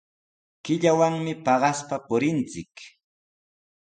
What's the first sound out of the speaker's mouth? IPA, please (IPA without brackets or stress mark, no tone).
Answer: k